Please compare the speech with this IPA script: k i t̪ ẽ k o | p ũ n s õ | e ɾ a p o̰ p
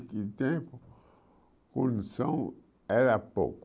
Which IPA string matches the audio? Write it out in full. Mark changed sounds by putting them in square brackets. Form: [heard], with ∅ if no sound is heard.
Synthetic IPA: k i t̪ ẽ [p] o | [k] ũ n s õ | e ɾ a p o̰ [k]